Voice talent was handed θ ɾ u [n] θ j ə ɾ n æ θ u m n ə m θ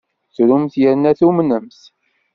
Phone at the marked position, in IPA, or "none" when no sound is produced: m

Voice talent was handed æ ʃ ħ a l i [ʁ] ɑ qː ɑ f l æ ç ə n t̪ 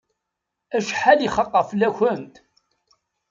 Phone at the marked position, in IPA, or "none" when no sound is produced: χ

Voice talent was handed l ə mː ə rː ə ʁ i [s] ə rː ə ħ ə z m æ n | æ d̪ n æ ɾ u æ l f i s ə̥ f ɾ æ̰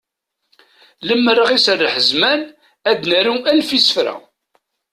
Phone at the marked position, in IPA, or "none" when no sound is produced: s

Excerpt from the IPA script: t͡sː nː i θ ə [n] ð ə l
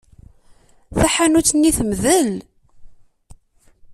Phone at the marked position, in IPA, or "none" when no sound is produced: m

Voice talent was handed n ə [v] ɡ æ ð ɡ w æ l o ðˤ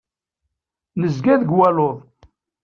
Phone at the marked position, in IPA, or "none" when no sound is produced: z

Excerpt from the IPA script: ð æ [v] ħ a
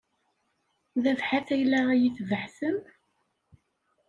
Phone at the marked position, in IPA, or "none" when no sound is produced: v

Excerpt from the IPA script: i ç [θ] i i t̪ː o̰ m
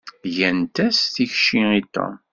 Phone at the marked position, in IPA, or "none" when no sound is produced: ʃ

